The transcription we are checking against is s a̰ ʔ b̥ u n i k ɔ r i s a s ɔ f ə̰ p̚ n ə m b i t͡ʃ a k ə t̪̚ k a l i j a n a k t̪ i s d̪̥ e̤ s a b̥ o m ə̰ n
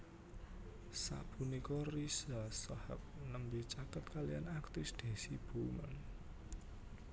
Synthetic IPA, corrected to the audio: s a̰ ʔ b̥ u n i k ɔ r i s a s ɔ h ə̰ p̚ n ə m b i t͡ʃ a k ə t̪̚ k a l i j a n a k t̪ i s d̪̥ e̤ s i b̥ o m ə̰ n